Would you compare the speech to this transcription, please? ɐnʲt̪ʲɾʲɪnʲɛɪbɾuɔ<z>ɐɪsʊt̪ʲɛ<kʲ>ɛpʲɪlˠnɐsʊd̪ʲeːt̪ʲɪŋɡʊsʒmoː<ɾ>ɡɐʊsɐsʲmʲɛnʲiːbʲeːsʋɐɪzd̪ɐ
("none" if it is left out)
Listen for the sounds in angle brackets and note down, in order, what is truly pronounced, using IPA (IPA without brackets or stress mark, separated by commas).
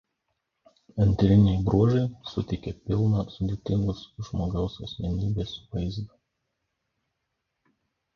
ʒ, kʲ, none